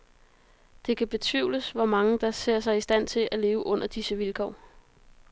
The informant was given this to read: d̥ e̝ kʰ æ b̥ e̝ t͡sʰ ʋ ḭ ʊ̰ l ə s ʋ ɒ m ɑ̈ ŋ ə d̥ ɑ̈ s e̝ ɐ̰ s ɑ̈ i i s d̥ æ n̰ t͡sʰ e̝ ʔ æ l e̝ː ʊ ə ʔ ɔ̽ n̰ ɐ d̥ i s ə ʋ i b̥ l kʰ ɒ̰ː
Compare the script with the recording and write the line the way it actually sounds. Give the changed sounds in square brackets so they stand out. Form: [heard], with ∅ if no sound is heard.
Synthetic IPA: d̥ e̝ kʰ æ b̥ e̝ t͡sʰ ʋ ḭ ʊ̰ l ə s ʋ ɒ m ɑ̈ ŋ ə d̥ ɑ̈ s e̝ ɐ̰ s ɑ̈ [ɪ] i s d̥ æ n̰ t͡sʰ e̝ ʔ æ l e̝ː ʊ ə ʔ ɔ̽ n̰ ɐ d̥ i s ə ʋ i [∅] l kʰ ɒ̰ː